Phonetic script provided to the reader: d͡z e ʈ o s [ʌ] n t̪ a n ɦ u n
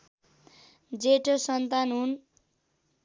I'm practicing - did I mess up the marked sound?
no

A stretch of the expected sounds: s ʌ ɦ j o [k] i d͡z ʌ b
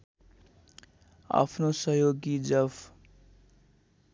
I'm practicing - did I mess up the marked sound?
yes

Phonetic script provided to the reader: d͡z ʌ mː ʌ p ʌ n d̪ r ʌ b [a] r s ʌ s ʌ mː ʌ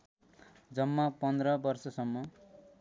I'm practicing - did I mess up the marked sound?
yes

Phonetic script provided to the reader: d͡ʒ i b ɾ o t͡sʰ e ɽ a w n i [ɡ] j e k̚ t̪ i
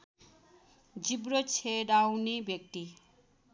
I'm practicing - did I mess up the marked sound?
yes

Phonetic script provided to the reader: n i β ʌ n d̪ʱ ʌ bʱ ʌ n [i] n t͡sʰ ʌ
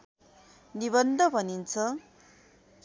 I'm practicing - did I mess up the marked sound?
no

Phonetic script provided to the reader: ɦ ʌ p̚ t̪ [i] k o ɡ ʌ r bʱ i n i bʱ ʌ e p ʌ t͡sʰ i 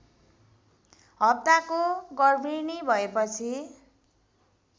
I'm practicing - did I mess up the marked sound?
yes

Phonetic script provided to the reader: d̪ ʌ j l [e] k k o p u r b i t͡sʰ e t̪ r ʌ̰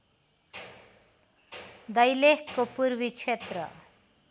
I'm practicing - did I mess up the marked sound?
no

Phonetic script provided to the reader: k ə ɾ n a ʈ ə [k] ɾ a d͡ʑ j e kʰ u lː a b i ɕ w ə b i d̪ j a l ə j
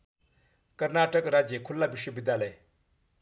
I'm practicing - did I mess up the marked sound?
no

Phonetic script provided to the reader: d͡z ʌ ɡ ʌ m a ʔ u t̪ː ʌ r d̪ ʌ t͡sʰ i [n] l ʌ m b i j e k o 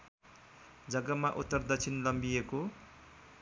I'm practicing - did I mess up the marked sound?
no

